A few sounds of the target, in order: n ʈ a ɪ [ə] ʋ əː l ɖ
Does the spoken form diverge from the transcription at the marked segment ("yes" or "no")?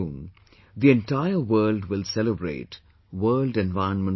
no